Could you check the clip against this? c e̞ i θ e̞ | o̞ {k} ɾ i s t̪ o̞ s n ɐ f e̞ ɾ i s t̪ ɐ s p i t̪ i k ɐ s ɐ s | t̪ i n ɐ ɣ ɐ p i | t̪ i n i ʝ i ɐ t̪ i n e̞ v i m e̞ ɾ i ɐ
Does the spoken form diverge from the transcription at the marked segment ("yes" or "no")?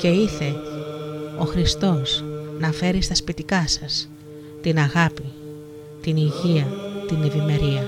yes